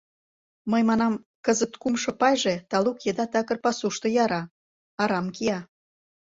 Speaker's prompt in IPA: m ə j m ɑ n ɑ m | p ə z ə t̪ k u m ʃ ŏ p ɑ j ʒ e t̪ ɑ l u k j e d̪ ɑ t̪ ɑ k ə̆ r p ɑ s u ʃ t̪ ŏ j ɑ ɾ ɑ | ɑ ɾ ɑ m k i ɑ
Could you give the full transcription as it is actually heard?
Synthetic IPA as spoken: m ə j m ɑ n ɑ m | k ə z ə t̪ k u m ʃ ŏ p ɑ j ʒ e t̪ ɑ l u k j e d̪ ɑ t̪ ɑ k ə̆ r p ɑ s u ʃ t̪ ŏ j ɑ ɾ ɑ | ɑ ɾ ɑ m k i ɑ